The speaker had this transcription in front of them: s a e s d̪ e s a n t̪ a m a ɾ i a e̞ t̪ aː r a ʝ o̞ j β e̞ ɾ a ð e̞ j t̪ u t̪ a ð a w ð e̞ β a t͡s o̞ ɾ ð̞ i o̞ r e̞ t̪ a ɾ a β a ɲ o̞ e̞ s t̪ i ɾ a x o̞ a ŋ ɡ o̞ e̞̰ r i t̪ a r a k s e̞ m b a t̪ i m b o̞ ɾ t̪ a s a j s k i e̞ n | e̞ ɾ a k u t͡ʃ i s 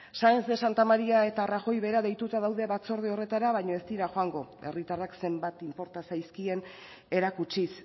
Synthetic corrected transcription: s a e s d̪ e s a n t̪ a m a ɾ i a e̞ t̪ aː r a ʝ o̞ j β e̞ ɾ a ð e̞ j t̪ u t̪ a ð a w ð e̞ β a t͡s o̞ ɾ ð̞ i o̞ r e̞ t̪ a ɾ a β a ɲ o̞ e̞ s t̪ i ɾ a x o̞ a ŋ ɡ o̞ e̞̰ r i t̪ a r a k s e̞ m b a t̪ i m p o̞ ɾ t̪ a s a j s k i e̞ n | e̞ ɾ a k u t͡ʃ i s